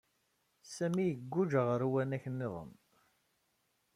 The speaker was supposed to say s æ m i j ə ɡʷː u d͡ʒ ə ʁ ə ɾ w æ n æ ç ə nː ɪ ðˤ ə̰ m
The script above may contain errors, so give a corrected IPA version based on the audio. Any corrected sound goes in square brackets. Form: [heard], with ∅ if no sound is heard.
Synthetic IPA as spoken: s æ m i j ə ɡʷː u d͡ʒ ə ʁ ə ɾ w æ n æ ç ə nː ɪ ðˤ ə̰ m